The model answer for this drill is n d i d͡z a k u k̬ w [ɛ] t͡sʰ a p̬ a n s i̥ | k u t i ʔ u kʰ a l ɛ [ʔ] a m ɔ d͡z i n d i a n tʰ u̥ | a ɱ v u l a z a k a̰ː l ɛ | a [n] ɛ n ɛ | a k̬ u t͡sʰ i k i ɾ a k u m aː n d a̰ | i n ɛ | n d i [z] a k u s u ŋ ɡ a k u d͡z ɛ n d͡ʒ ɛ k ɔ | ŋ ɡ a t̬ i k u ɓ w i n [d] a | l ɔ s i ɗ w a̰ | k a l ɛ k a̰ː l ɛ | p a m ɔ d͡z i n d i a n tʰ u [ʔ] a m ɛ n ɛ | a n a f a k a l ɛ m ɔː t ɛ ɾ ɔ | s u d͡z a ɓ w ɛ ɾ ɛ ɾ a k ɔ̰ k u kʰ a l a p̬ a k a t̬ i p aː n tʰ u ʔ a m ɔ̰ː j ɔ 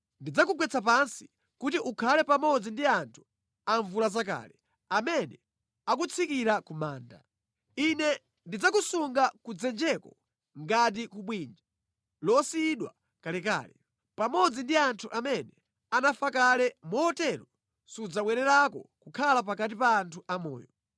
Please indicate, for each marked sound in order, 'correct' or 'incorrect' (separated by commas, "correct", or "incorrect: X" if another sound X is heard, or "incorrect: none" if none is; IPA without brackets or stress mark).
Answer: correct, incorrect: p, incorrect: m, incorrect: d͡z, incorrect: d͡ʒ, correct